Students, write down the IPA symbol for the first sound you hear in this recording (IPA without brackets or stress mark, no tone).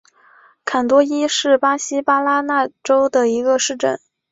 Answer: kʰ